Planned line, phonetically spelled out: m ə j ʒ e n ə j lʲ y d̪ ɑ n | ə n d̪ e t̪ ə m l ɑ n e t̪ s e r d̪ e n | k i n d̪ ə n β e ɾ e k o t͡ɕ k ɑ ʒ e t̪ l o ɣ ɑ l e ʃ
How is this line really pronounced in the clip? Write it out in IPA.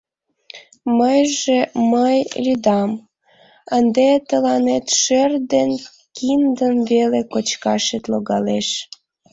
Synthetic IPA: m ə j ʒ e m ə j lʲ y d̪ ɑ m | ə n d̪ e t̪ ə l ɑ n e t̪ ʃ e r d̪ e n | k i n d̪ ə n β e l e k o t͡ɕ k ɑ ʃ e t̪ l o ɣ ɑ l e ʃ